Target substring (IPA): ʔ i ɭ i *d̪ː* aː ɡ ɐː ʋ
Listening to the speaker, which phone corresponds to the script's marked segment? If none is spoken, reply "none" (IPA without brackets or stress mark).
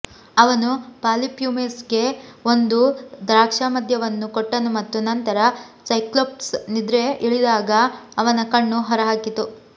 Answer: d̪